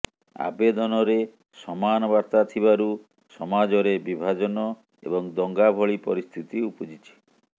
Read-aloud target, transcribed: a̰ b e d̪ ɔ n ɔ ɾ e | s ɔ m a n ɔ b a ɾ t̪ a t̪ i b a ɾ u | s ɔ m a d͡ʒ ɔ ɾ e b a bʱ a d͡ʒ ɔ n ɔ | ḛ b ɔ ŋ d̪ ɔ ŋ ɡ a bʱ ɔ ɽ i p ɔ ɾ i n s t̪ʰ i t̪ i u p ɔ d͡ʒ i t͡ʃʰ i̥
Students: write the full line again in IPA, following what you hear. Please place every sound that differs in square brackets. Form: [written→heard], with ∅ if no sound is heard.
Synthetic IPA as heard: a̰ b e d̪ ɔ n ɔ ɾ e | s ɔ m a n ɔ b a ɾ t̪ a [t̪→t̪ʰ] i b a ɾ u | s ɔ m a d͡ʒ ɔ ɾ e b [a→i] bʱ a d͡ʒ ɔ n ɔ | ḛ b ɔ ŋ d̪ ɔ ŋ ɡ a bʱ ɔ [ɽ→ɭ] i p ɔ ɾ i [n→∅] s t̪ʰ i t̪ i u p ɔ d͡ʒ i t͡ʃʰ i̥